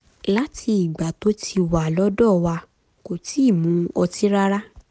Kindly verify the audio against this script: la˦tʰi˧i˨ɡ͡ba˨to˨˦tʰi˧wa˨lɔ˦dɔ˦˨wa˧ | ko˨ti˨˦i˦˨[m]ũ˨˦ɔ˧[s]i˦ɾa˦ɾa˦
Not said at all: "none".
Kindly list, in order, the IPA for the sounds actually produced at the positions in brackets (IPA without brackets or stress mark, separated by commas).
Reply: m, t